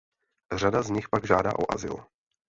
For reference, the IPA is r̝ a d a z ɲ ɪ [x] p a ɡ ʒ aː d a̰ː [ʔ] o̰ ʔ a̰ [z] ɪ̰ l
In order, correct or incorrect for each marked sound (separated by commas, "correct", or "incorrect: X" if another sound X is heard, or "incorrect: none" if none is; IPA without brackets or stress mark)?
correct, correct, correct